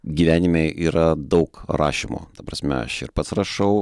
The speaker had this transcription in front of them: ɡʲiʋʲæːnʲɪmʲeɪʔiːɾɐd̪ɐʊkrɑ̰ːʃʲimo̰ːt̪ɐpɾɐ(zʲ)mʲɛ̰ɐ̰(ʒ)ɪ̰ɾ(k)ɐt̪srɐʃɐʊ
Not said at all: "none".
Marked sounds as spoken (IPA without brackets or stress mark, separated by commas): sʲ, ʃ, p